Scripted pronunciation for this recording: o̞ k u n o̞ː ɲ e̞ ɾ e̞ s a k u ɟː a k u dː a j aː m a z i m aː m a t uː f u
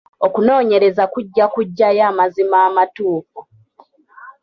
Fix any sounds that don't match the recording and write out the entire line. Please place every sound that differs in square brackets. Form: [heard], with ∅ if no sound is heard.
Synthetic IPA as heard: o̞ k u n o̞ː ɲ e̞ ɾ e̞ [z] a k u ɟː a k u [ɟː] a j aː m a z i m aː m a t uː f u